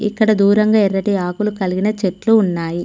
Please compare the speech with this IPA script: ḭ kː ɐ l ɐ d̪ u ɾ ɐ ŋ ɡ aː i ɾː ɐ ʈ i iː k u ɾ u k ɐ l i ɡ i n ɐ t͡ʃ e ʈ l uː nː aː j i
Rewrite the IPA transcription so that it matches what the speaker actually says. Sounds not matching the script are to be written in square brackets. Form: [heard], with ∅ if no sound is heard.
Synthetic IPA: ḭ kː ɐ [ɽ] ɐ d̪ [uː] ɾ ɐ ŋ ɡ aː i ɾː ɐ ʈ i [aː] k u [l] u k ɐ l i ɡ i n ɐ t͡ʃ e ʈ l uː nː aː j i

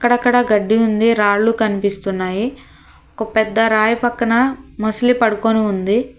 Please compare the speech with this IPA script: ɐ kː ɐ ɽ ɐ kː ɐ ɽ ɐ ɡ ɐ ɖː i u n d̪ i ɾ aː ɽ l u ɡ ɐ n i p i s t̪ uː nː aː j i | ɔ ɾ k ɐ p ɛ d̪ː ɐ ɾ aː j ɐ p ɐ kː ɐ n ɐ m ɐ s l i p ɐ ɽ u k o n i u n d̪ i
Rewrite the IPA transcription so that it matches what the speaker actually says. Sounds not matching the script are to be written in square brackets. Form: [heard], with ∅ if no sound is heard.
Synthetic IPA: ɐ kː ɐ ɽ ɐ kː ɐ ɽ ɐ ɡ ɐ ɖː i u n d̪ i ɾ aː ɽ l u [k] ɐ n i p i s t̪ [u] nː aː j i | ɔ [∅] k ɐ p ɛ d̪ː ɐ ɾ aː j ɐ p ɐ kː ɐ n ɐ m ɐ s l i p ɐ ɽ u k o n i u n d̪ i

